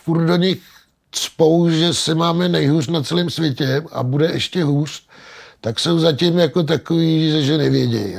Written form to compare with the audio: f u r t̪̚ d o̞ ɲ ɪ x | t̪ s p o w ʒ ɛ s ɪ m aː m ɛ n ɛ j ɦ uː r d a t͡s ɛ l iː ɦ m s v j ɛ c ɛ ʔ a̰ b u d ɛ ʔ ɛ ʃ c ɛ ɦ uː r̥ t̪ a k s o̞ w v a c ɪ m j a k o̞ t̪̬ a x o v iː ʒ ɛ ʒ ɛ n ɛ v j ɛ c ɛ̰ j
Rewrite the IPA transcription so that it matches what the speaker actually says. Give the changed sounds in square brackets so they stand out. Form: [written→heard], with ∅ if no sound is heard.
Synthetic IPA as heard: f u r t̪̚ d o̞ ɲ ɪ x | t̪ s p o w ʒ ɛ s ɪ m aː m ɛ n ɛ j ɦ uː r [d→n] a t͡s ɛ l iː [ɦ→∅] m s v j ɛ c ɛ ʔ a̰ b u d ɛ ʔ ɛ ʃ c ɛ ɦ uː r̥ t̪ a k s o̞ w [v→z] a c ɪ m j a k o̞ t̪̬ a [x→k] o v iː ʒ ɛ ʒ ɛ n ɛ v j ɛ [c→ɟ] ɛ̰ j